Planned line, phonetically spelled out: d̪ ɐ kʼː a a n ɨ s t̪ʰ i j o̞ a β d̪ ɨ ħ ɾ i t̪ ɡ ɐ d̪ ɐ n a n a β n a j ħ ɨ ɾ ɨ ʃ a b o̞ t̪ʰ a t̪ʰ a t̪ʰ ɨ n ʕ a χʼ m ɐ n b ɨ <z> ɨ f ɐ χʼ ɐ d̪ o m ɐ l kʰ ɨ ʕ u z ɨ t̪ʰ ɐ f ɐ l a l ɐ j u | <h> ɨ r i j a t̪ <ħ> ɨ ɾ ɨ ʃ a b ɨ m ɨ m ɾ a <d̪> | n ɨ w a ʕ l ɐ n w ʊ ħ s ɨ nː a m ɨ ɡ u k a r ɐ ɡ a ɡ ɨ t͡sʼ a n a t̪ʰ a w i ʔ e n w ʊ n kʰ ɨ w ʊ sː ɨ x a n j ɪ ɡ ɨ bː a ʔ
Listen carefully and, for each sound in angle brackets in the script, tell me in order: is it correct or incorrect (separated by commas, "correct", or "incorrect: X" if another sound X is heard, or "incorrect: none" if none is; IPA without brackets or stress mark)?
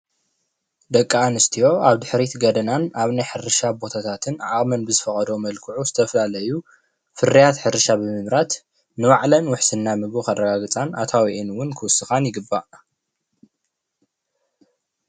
correct, incorrect: f, correct, incorrect: t̪